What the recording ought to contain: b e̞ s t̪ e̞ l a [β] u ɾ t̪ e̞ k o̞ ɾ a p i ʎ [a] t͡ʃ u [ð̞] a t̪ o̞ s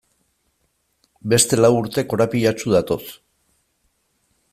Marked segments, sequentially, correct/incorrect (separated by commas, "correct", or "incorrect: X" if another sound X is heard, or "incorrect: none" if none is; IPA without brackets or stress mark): incorrect: w, correct, correct